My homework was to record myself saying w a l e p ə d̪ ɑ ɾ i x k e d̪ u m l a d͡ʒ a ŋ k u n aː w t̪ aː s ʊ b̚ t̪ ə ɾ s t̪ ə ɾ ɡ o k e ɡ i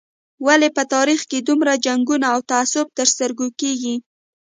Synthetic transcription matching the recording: w a l e p ə t̪ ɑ ɾ i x k e d̪ u m ɾ a d͡ʒ a ŋ ɡ u n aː w t̪ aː s ʊ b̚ t̪ ə ɾ s t̪ ə ɾ ɡ o k e ɡ i